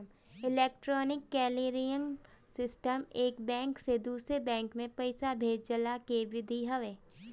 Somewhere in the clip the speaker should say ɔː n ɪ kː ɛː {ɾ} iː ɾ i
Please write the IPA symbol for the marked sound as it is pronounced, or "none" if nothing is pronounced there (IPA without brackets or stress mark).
l